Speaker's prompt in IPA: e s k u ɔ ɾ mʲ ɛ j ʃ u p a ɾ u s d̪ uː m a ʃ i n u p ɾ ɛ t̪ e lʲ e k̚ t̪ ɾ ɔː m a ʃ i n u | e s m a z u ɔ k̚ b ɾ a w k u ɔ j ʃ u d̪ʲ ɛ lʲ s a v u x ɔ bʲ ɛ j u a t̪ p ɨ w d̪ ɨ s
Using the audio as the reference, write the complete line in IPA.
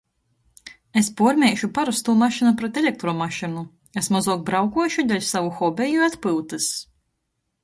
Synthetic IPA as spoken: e s p u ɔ ɾ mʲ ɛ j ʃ u p a ɾ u s t̪ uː m a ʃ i n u p ɾ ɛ t̪ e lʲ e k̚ t̪ ɾ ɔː m a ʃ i n u | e s m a z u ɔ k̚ b ɾ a w k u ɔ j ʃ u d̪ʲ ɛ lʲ s a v u x ɔ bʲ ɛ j u a t̪ p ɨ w t̪ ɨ s